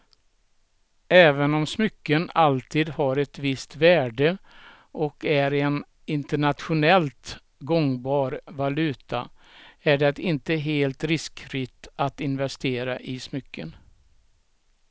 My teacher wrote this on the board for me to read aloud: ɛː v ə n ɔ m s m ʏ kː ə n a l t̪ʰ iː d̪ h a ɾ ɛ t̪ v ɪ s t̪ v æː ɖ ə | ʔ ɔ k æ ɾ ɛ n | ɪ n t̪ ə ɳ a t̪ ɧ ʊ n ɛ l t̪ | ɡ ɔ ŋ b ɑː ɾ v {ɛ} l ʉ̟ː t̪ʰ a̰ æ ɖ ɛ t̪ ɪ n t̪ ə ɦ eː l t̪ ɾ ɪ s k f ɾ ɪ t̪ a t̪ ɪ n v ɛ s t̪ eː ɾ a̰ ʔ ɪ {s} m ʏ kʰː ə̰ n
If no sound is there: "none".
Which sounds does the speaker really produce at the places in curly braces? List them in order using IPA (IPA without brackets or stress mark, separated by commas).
a, s